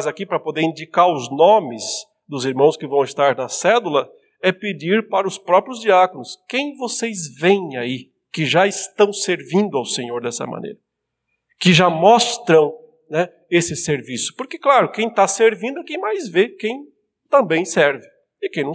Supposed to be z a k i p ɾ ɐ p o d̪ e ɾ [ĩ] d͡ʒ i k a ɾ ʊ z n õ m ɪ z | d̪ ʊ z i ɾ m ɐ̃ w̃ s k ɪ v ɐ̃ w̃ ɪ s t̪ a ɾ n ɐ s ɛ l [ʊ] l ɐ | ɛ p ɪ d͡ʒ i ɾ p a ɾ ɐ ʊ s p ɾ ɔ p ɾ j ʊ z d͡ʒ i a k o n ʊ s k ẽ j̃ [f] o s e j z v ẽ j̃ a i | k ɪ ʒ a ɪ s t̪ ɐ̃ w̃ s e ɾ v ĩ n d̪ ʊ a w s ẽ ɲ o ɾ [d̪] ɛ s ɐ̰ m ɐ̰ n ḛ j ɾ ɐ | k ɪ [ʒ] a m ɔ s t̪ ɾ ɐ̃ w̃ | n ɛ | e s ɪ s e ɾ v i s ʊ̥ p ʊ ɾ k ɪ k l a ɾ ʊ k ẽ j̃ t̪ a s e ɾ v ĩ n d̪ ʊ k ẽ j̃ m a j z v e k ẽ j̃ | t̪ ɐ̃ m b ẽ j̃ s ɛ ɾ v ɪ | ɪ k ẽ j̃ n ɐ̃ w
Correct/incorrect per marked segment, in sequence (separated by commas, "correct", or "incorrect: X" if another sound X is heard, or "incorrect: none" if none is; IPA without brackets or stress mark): correct, incorrect: u, incorrect: v, correct, correct